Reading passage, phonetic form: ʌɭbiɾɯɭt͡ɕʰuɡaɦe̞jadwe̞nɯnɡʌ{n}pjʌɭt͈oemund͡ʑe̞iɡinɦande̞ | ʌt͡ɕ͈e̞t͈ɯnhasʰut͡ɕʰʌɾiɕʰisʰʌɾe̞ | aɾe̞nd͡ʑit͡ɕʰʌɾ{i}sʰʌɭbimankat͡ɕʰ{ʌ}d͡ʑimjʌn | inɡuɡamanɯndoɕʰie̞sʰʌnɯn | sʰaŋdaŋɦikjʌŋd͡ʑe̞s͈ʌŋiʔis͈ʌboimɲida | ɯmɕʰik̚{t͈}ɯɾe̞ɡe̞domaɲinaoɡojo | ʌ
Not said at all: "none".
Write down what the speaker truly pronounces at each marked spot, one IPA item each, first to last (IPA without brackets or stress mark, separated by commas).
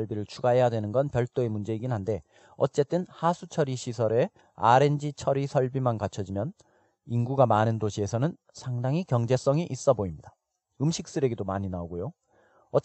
n, i, ʌ, s͈